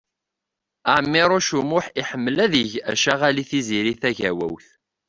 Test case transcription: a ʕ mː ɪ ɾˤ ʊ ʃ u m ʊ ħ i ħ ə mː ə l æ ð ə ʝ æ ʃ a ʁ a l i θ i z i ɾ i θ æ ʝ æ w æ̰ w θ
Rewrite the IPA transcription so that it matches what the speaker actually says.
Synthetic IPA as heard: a ʕ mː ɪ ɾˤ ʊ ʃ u m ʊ ħ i ħ ə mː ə l æ ð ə ʝ æ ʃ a ʁ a l i θ i z i ɾ i θ æ ʝ æ w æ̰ w θ

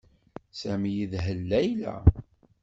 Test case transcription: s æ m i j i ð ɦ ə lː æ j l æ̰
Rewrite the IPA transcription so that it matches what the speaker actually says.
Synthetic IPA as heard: s æ m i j i ð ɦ ə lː æ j l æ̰

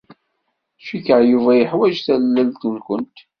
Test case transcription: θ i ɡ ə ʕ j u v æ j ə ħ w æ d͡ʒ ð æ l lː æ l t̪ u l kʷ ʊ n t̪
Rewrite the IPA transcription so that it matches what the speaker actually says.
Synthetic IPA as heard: ʃ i k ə ʕ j u v æ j ə ħ w æ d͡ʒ θ æ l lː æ l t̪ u l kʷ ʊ n t̪

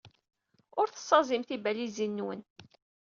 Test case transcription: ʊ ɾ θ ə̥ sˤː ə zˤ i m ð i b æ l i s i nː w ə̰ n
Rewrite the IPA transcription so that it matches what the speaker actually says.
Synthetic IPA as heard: ʊ ɾ θ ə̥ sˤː ɑ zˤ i m θ i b æ l i z i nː w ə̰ n

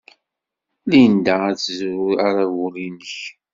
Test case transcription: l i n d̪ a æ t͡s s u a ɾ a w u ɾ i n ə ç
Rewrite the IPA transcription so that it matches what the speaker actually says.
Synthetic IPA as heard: l i n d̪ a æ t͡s z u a ɾ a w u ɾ i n ə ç

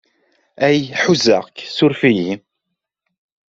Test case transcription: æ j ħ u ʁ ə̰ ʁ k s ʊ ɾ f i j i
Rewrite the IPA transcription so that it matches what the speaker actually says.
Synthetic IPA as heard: æ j ħ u z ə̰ ʁ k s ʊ ɾ f i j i

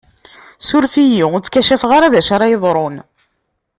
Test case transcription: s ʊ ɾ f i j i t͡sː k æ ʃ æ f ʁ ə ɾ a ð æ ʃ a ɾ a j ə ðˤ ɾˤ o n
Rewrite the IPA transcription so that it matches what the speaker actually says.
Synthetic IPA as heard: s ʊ ɾ f i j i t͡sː k æ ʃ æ f ʁ a ɾ a ð æ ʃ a ɾ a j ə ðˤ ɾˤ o n

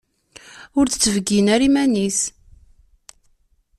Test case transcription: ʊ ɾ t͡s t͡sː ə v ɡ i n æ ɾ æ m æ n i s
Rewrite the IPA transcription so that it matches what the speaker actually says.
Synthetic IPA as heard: ʊ ɾ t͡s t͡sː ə v ɡ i n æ ɾ i m æ n i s

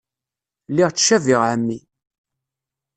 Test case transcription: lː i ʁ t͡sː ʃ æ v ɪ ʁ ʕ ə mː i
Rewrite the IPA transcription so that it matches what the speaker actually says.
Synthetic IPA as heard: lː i ʁ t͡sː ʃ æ v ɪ ʁ ʕ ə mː i

